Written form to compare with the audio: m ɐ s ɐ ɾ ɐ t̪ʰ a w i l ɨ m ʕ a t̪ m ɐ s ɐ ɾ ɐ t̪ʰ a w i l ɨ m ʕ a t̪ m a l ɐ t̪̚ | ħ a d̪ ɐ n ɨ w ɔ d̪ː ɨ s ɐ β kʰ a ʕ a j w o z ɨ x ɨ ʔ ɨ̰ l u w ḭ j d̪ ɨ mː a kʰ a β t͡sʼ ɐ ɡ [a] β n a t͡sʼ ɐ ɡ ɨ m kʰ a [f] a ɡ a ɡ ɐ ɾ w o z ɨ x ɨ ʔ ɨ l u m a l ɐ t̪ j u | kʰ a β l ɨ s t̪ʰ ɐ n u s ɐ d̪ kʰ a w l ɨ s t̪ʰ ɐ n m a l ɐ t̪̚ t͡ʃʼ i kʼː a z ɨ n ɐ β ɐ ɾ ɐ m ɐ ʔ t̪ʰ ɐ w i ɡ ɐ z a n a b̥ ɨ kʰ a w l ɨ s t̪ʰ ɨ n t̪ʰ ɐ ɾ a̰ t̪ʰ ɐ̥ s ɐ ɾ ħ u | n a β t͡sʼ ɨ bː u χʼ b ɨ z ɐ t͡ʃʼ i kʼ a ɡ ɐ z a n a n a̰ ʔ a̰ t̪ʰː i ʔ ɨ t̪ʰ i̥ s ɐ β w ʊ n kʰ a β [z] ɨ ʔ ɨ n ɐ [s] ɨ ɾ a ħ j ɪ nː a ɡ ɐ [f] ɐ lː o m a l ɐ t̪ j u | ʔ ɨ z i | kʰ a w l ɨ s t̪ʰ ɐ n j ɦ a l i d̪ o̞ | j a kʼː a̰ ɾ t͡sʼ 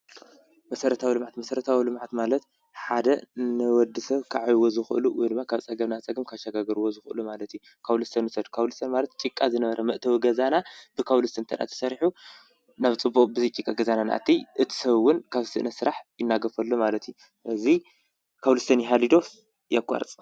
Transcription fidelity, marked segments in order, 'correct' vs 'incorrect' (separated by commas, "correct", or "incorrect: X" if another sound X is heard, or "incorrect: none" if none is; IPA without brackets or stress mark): incorrect: ɐ, incorrect: ʃ, incorrect: s, correct, correct